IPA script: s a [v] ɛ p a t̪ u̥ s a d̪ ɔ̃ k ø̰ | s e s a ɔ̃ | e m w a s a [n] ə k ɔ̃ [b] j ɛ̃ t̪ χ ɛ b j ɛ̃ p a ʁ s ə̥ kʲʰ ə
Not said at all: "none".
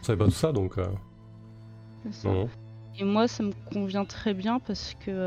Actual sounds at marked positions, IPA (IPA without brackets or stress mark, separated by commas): v, m, v